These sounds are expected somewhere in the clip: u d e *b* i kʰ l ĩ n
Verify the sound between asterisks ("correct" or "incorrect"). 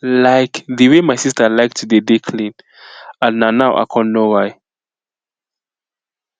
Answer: incorrect